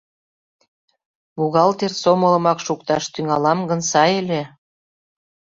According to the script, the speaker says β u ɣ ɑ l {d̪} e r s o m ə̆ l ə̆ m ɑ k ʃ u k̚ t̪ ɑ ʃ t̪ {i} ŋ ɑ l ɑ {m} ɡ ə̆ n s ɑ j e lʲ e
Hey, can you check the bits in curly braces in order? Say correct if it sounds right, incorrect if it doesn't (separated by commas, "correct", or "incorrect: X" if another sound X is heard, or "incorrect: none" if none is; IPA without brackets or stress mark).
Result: incorrect: t̪, incorrect: y, correct